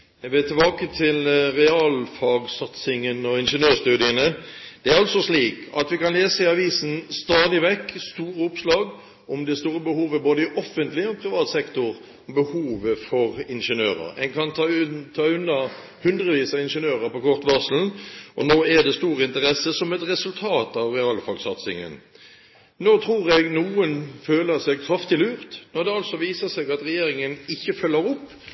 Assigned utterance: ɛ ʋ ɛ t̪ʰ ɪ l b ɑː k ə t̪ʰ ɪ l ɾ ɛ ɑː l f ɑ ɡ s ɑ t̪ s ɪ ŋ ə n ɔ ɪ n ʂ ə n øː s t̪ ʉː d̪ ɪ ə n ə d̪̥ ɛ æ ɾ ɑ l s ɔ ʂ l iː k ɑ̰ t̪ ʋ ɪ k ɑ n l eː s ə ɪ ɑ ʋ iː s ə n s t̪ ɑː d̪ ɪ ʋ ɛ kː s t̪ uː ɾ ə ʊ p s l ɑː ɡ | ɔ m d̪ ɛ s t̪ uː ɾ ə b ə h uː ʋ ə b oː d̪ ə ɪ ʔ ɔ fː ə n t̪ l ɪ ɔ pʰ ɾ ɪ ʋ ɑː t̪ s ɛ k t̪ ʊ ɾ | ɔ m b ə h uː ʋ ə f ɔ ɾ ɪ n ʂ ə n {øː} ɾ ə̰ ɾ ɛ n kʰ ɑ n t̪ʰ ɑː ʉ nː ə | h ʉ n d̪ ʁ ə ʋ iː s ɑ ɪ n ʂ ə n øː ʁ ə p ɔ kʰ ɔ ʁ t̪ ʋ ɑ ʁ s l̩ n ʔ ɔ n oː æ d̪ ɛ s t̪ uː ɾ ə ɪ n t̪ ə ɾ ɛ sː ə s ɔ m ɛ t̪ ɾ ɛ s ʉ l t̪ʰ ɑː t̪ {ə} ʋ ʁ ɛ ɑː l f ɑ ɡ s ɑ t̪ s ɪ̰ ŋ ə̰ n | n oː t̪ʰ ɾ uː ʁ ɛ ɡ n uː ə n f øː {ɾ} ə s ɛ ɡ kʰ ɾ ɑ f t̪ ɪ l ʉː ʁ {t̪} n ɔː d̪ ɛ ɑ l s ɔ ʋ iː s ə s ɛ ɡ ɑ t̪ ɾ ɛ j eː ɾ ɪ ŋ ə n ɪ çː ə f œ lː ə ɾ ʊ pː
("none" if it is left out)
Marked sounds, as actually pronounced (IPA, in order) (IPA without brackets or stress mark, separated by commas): øː, ɑ, l, t̪